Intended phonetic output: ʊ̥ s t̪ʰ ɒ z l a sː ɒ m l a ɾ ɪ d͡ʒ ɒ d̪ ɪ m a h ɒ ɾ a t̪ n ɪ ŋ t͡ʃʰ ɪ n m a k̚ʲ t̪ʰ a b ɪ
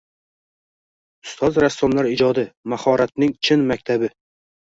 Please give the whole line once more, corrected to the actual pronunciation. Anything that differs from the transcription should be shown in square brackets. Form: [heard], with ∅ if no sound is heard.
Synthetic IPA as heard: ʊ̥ s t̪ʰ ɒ z [ɾ] a sː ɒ m l a ɾ ɪ d͡ʒ ɒ d̪ ɪ m a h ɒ ɾ a t̪ n ɪ ŋ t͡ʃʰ ɪ n m a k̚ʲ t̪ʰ a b ɪ